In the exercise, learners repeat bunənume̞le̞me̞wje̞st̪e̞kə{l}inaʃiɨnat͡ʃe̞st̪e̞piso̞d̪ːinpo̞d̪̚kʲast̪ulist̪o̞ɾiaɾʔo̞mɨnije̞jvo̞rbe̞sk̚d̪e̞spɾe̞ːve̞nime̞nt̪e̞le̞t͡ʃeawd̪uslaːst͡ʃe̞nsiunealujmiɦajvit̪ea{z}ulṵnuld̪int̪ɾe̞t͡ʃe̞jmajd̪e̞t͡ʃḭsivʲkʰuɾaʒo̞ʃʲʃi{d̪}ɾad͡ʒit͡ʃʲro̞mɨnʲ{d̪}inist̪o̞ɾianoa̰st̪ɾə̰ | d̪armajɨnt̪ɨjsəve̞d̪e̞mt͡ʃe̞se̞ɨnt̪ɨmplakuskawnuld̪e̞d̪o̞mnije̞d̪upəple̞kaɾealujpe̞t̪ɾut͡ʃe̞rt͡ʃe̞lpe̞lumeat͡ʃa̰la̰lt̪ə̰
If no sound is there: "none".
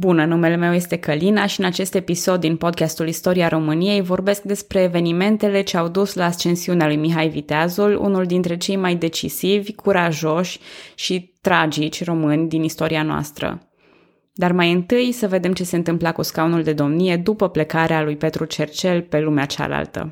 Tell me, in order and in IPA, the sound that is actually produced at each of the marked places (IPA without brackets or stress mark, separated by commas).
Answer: l, z, t̪, d̪